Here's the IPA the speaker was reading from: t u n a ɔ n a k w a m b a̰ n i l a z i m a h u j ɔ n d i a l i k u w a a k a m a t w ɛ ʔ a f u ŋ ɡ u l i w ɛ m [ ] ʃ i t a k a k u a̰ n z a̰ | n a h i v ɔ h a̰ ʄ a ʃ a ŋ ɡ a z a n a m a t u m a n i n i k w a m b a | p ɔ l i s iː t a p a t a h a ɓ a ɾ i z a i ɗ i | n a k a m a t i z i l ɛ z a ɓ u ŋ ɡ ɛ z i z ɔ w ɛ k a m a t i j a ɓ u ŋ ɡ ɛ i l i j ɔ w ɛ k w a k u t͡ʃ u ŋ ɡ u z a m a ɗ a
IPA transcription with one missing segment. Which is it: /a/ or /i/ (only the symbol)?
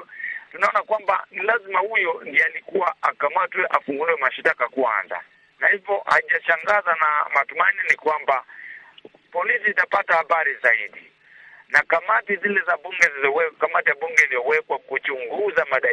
a